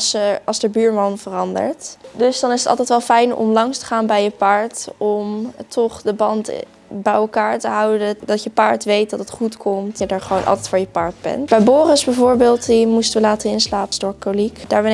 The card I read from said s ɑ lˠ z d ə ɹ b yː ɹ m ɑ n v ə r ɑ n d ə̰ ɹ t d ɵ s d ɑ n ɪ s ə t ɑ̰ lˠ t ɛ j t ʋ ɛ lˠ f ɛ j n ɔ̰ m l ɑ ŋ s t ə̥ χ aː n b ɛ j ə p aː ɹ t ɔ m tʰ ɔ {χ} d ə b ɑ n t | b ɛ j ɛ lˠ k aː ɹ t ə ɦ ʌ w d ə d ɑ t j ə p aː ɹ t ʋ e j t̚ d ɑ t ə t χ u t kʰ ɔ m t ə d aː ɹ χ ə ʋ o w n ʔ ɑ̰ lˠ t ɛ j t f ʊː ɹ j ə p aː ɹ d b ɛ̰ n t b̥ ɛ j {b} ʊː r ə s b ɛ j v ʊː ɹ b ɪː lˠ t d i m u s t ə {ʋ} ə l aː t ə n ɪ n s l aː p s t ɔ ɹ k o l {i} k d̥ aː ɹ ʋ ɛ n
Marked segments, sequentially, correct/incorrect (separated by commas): correct, correct, correct, correct